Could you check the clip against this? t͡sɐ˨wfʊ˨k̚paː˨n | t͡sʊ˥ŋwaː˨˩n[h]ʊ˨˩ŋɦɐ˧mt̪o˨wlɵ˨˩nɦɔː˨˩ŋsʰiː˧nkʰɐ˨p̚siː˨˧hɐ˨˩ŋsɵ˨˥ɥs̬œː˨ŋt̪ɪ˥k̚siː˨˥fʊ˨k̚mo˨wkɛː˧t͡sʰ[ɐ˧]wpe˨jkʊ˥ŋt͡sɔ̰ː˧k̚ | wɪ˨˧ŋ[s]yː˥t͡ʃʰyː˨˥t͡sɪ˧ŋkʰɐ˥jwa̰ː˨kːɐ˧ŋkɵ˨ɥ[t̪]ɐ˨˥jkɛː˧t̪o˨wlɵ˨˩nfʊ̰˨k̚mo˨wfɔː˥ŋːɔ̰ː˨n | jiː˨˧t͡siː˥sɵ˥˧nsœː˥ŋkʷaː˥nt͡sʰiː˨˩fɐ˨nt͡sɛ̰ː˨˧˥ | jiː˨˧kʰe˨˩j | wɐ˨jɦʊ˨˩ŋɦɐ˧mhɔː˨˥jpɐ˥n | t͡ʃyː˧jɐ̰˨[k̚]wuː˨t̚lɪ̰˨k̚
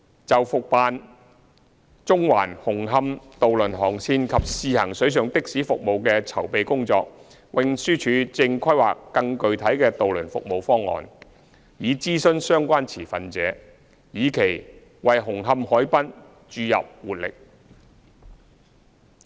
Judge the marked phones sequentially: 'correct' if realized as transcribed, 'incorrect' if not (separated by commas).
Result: correct, incorrect, correct, incorrect, incorrect